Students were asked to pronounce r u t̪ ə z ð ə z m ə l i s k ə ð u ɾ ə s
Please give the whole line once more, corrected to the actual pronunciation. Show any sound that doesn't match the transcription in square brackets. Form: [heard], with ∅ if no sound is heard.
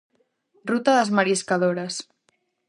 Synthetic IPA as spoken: r u t̪ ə [∅] ð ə z m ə [ɾ] i s k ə ð [o] ɾ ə s